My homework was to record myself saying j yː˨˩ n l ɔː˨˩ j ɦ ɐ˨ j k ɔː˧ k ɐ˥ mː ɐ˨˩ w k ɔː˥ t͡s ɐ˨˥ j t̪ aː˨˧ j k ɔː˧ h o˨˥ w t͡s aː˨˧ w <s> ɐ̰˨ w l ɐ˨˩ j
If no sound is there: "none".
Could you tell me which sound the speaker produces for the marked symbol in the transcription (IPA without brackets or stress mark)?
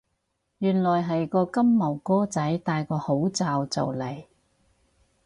t͡s